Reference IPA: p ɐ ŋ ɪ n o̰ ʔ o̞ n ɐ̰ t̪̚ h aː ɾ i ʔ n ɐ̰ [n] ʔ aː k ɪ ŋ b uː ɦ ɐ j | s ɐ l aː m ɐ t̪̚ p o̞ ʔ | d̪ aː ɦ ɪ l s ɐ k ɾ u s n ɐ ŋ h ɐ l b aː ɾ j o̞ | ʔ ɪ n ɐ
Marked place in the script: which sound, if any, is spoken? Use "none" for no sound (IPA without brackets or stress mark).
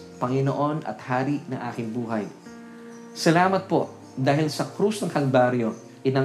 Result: ŋ